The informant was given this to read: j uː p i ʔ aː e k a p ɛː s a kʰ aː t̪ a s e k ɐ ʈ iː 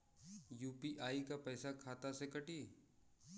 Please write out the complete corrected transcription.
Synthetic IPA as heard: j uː p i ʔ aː i k a p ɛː s a kʰ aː t̪ a s e k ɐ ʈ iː

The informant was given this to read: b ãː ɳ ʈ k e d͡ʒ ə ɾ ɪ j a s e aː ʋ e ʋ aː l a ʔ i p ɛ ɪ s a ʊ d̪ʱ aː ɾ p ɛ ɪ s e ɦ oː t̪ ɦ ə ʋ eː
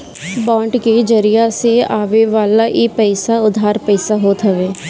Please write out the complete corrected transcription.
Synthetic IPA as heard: b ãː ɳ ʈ k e d͡ʒ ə ɾ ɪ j a s e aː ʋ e ʋ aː l a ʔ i p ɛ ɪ s a ʊ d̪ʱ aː ɾ p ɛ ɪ s a ɦ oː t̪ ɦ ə ʋ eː

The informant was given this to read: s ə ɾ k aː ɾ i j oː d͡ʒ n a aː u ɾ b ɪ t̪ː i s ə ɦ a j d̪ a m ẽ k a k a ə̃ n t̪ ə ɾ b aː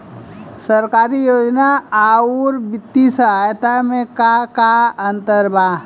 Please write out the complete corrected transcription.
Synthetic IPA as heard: s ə ɾ k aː ɾ i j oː d͡ʒ n a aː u ɾ b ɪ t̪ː i s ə ɦ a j t̪ a m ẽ k a k a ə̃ n t̪ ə ɾ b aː

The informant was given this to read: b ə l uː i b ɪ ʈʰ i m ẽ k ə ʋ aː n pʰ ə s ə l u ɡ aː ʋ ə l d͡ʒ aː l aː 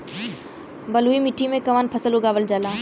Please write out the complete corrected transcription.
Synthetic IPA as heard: b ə l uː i m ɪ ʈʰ i m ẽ k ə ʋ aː n pʰ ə s ə l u ɡ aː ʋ ə l d͡ʒ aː l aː

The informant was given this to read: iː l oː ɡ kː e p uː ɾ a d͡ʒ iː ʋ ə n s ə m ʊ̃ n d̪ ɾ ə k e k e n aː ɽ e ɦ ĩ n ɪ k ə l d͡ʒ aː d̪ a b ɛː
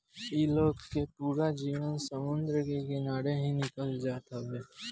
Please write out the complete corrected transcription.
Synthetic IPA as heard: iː l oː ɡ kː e p uː ɾ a d͡ʒ iː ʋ ə n s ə m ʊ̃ n d̪ ɾ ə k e k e n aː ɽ e ɦ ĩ n ɪ k ə l d͡ʒ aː t̪ a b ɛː

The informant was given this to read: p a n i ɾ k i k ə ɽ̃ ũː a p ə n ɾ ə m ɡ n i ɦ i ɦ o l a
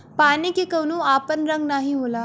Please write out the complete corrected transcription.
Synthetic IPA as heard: p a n i k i k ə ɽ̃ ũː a p ə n ɾ ə ŋ ɡ n a ɦ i ɦ o l a

